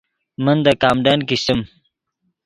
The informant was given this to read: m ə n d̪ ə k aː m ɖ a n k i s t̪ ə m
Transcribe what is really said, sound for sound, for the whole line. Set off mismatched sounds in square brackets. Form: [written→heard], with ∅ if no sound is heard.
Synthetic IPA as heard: m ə n d̪ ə k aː m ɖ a n k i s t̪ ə m

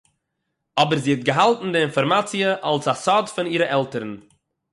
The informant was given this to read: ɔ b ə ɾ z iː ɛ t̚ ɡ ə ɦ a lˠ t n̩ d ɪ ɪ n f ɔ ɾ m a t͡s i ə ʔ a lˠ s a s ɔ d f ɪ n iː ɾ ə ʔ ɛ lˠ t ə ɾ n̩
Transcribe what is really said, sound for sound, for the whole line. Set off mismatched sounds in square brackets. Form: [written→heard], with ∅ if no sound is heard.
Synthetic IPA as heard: ɔ b ə ɾ z iː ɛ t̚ ɡ ə ɦ a lˠ t n̩ d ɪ ɪ n f ɔ ɾ m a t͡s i ə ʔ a lˠ s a s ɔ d f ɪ n iː ɾ ə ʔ ɛ lˠ t ə ɾ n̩

